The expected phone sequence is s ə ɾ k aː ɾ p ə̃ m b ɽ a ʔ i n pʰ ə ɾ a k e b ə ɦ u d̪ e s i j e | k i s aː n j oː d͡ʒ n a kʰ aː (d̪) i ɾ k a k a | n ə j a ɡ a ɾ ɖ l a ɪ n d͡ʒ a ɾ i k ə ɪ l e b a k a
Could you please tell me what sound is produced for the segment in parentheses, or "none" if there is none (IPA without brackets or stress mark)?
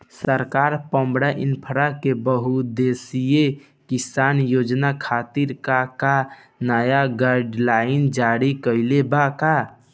t̪